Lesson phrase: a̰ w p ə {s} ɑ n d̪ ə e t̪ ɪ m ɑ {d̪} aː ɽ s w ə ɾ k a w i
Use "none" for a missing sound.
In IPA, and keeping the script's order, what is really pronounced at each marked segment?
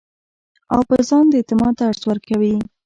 z, t̪

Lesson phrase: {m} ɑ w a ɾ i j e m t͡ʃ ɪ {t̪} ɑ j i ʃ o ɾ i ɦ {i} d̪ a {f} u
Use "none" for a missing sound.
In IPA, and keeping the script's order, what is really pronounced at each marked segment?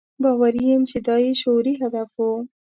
b, d̪, a, f

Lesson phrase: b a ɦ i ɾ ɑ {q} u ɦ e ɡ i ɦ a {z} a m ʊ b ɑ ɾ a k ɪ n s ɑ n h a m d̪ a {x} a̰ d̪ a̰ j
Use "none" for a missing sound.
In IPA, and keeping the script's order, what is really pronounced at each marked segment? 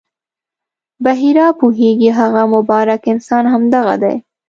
p, ɣ, ɣ

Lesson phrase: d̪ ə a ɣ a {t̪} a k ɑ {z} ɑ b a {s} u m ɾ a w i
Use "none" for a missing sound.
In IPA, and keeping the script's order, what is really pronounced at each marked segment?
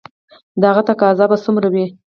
t̪, z, s

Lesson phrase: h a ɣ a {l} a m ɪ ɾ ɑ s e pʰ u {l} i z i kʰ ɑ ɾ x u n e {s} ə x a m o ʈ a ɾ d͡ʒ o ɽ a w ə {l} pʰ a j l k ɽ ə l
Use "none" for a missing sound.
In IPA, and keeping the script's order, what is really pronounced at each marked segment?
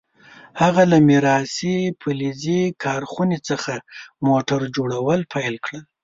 l, l, t͡s, l

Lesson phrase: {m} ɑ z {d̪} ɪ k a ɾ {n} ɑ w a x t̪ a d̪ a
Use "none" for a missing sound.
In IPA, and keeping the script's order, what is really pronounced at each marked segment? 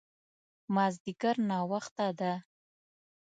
m, d̪, n

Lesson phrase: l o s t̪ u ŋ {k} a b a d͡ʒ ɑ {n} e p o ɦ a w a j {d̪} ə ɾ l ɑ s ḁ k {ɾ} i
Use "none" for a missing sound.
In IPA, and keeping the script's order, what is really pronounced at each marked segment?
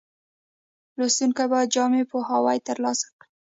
k, m, t̪, ɽ

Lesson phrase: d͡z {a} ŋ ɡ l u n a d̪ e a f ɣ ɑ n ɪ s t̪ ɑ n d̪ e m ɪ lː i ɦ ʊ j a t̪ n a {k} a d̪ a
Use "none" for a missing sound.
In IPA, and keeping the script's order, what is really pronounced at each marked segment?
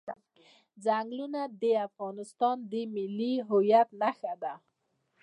a, x

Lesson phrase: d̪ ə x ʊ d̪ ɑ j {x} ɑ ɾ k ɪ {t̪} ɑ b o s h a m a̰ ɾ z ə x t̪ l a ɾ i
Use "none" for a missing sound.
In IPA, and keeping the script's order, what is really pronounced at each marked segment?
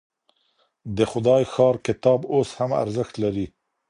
x, t̪

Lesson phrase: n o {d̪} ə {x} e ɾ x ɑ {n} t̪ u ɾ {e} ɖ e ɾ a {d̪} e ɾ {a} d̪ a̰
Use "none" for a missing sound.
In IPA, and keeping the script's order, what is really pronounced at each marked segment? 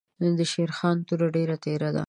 d̪, ʃ, n, a, t̪, a

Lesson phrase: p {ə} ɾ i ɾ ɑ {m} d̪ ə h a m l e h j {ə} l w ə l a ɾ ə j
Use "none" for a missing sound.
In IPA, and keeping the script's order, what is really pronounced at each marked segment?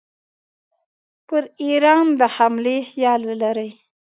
ə, n, ɑ

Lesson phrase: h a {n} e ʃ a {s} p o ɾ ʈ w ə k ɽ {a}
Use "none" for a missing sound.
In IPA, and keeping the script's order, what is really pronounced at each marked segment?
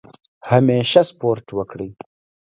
m, s, i

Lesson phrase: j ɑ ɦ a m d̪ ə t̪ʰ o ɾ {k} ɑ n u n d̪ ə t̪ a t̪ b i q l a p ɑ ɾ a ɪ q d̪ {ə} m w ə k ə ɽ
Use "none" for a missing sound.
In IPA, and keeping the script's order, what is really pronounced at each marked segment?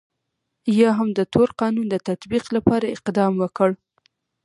q, ɑ

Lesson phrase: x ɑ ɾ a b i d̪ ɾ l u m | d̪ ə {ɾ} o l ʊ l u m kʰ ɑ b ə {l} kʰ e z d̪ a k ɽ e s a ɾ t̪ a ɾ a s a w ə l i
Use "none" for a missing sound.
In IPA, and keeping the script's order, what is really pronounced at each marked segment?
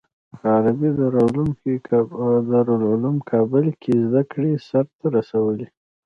ɾ, l

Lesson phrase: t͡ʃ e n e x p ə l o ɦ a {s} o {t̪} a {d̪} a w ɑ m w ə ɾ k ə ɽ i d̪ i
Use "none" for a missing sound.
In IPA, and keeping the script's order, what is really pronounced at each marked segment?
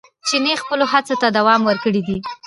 t͡s, t̪, d̪

